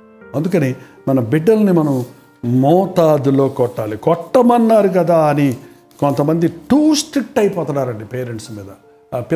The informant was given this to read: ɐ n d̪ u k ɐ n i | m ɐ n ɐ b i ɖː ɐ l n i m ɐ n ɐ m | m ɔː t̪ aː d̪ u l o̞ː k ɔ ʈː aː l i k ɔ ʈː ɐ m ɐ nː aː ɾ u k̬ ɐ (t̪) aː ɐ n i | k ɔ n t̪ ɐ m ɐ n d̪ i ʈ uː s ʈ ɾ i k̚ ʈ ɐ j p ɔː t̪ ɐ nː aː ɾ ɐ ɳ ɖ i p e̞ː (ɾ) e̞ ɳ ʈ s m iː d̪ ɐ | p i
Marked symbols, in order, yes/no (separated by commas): no, yes